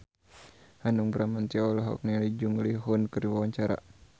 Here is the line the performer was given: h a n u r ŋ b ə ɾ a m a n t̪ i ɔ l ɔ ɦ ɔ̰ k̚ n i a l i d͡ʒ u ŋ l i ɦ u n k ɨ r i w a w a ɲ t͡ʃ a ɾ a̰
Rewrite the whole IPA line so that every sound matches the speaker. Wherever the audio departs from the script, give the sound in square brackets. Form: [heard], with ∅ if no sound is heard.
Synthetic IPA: h a n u [∅] ŋ b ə ɾ a m a n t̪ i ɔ l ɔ ɦ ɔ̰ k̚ n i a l i d͡ʒ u ŋ l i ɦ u n k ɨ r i w a w a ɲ t͡ʃ a ɾ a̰